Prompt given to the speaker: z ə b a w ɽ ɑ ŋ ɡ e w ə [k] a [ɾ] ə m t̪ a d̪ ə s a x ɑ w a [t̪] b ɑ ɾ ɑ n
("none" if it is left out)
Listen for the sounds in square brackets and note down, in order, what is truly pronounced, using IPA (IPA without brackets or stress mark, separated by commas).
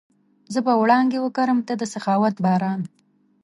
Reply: k, ɾ, t̪